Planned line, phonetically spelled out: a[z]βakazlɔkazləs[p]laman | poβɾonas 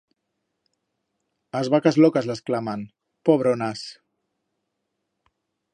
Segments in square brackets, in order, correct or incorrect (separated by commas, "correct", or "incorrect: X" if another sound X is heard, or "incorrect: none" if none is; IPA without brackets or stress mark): correct, incorrect: k